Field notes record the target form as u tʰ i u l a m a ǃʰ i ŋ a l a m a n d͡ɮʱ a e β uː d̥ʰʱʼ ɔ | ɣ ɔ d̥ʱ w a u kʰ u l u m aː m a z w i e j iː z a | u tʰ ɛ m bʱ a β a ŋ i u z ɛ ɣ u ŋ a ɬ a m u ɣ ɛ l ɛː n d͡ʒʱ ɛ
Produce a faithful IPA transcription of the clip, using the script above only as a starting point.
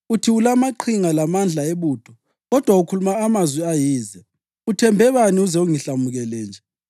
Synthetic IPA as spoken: u tʰ i u l a m a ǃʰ i ŋ a l a m a n d͡ɮʱ a e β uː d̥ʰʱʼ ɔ | ɣ ɔ d̥ʱ w a u kʰ u l u m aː m a z w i a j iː z ɛ | u tʰ ɛ m bʱ ɛ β a n i u z ɛ u ŋ i ɬ a m u ɣ ɛ l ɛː n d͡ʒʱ ɛ